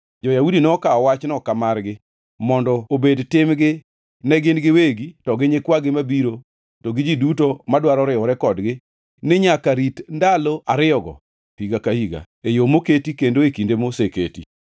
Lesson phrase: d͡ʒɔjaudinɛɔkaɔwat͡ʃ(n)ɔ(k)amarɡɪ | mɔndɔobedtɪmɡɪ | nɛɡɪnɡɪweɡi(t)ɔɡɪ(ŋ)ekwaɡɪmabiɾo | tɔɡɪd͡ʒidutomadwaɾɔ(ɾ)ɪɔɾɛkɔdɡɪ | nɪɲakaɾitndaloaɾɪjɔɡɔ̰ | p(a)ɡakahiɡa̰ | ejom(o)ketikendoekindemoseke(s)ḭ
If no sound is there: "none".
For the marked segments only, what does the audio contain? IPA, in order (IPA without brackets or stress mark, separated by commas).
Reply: n, k, t, ɲ, ɾ, i, o, t